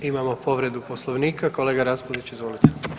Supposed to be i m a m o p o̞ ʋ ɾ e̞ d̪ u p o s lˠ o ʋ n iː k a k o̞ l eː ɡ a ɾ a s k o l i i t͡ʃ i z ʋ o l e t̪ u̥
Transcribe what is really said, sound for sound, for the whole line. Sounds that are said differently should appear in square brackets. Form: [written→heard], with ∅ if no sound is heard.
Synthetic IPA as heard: i m a m o p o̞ ʋ ɾ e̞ d̪ u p o s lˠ o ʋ n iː k a k o̞ l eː ɡ a ɾ a s [k→p] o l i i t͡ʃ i z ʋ o l [e→i] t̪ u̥